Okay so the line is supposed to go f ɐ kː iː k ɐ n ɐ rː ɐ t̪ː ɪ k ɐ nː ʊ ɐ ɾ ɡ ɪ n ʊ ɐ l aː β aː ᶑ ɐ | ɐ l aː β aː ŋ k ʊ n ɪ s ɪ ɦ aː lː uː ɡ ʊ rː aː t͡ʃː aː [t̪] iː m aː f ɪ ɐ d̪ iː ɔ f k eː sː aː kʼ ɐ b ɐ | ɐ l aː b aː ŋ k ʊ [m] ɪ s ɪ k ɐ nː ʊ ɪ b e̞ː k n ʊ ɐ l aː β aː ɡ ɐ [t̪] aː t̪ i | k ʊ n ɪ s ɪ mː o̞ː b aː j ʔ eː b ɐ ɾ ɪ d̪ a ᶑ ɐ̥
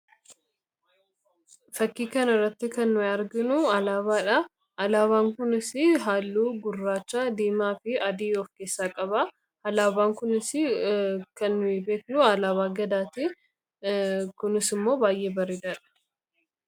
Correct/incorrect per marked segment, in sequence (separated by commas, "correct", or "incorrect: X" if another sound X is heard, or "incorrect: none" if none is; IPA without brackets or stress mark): incorrect: d̪, incorrect: n, incorrect: d̪